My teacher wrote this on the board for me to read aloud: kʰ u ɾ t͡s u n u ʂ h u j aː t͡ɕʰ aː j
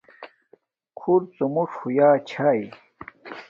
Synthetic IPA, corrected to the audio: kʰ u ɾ t͡s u m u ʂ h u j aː t͡ɕʰ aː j